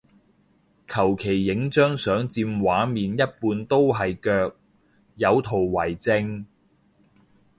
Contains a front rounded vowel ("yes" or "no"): yes